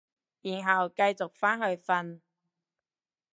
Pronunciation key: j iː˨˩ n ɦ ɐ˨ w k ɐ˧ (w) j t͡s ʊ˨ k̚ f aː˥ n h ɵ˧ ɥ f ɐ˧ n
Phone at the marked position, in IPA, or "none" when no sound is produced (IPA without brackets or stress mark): none